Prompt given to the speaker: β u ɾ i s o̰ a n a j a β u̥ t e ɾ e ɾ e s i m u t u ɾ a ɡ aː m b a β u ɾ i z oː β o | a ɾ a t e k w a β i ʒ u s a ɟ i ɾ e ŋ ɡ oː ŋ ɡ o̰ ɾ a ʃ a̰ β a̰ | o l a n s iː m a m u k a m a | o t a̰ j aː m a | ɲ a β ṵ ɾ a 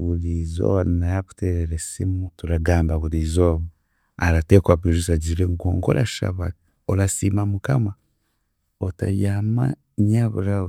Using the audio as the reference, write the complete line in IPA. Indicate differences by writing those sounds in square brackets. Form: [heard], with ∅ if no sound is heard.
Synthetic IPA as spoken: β u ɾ i [z] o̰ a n a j a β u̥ t e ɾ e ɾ e s i m u t u ɾ a ɡ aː m b a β u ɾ i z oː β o | a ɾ a t e k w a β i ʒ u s a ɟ i ɾ e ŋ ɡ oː ŋ ɡ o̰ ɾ a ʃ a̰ β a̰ | o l a [∅] s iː m a m u k a m a | o t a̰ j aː m a | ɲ a β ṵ ɾ a